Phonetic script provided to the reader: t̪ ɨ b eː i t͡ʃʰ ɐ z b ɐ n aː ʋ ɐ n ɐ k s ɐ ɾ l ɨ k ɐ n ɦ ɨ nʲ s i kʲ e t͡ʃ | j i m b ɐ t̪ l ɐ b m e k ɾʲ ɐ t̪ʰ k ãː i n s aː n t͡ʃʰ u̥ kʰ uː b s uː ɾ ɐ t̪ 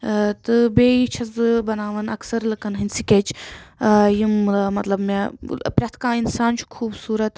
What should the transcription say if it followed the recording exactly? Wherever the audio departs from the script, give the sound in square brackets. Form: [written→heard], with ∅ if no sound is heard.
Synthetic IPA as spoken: t̪ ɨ b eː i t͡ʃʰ ɐ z b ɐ n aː ʋ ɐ n ɐ k s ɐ ɾ l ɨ k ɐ n ɦ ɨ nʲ s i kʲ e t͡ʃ | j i m [b→m] ɐ t̪ l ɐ b m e [k→p] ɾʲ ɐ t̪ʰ k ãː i n s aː n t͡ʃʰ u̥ kʰ uː b s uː ɾ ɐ t̪